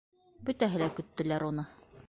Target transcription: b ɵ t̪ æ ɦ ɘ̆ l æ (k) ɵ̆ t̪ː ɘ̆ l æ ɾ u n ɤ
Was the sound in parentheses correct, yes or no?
yes